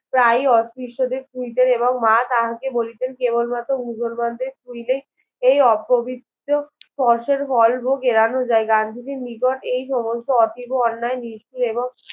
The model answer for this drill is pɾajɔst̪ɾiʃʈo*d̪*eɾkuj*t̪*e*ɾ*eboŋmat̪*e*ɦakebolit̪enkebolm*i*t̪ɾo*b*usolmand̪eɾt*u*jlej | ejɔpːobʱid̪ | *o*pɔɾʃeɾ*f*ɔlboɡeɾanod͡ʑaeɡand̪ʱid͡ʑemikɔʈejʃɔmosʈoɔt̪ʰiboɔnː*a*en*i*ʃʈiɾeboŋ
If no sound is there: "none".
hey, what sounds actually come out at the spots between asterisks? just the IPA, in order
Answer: d̪, t̪, ɾ, a, a, m, u, o, f, a, i

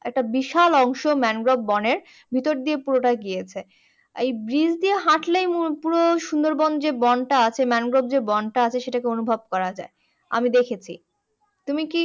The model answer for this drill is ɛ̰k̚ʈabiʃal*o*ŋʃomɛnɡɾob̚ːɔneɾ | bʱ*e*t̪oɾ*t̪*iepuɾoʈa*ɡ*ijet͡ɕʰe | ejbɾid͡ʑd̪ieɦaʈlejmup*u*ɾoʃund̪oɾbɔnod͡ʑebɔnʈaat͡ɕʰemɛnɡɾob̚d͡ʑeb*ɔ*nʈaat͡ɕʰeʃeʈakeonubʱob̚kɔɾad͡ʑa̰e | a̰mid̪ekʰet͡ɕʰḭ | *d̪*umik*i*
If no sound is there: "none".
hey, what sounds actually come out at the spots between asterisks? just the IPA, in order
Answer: ɔ, i, d̪, ɡ, u, ɔ, t̪, i

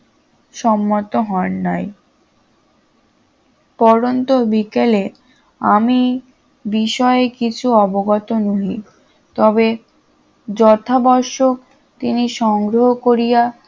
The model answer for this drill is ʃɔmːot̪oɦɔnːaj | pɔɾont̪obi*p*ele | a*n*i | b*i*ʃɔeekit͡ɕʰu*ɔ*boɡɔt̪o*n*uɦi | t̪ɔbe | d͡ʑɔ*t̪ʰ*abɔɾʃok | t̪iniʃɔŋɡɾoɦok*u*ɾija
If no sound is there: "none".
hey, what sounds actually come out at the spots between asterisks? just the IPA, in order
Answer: k, m, i, ɔ, n, t̪ʰ, o

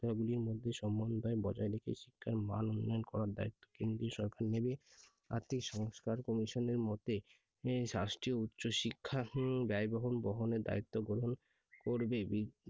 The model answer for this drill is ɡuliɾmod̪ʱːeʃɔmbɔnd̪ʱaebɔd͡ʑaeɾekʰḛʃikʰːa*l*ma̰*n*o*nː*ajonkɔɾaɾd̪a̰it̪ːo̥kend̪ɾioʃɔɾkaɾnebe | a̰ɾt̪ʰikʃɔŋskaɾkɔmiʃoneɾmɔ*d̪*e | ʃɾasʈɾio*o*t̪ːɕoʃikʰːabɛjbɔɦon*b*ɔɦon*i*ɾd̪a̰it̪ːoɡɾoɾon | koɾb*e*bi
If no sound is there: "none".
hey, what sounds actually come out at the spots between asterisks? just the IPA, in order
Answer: ɾ, n, nː, t̪, u, b, e, e

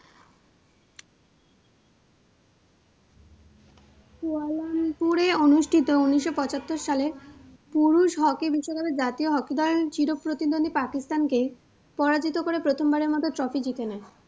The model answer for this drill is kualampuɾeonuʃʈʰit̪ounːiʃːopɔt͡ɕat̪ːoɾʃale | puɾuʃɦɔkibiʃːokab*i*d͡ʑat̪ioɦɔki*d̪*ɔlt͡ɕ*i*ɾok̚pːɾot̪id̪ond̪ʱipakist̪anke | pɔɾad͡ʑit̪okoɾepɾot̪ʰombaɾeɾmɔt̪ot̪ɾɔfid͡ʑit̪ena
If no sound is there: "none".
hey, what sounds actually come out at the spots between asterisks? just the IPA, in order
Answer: e, d̪, i

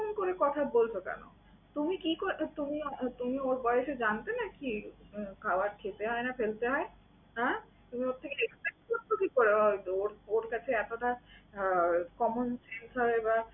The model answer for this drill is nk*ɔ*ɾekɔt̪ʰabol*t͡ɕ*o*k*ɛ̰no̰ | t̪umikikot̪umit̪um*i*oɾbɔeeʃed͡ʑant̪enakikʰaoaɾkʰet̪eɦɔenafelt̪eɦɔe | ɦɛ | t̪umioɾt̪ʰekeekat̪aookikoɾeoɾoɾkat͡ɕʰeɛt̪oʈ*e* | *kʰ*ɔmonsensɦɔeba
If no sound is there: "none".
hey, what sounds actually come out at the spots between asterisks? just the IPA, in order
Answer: o, t͡ɕʰ, k, i, a, k

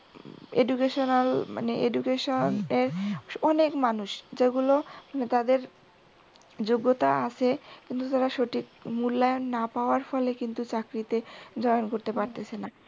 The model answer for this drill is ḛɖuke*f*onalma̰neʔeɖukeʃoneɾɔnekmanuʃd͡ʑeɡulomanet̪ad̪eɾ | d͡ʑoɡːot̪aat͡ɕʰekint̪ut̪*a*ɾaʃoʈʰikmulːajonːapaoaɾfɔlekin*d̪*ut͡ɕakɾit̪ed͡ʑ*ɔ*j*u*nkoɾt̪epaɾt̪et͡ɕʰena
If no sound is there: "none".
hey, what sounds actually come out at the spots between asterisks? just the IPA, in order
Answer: ʃ, a, t̪, ɔ, o

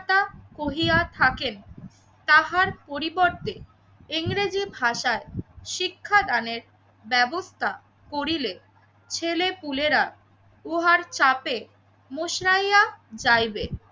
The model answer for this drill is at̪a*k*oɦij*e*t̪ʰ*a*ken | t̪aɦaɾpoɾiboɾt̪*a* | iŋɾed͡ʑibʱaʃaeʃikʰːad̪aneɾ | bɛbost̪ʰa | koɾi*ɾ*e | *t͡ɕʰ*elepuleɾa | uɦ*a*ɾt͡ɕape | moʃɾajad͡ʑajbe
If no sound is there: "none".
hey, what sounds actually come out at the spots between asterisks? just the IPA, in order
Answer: k, a, a, e, l, t͡ɕʰ, a

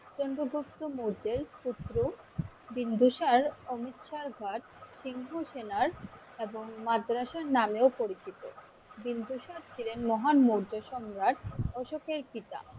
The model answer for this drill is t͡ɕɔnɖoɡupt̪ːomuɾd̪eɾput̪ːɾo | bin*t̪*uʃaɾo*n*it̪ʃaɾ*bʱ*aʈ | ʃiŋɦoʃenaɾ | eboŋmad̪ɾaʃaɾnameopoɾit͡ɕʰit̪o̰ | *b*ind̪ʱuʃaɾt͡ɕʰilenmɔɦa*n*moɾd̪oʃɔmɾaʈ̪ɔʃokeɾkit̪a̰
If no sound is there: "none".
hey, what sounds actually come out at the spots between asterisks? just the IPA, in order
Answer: d̪, m, ɡʱ, b, n

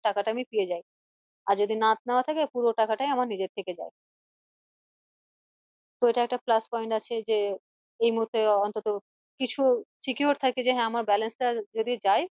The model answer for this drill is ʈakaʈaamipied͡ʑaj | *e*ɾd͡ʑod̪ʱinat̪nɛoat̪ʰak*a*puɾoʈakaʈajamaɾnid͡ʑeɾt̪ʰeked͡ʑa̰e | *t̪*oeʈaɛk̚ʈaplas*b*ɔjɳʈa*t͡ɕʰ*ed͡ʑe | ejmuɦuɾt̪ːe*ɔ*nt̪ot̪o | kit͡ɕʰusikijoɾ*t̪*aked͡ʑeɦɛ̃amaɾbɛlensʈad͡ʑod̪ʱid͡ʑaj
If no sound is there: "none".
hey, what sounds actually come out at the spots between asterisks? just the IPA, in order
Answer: a, e, t̪, p, t͡ɕʰ, ɔ, t̪ʰ

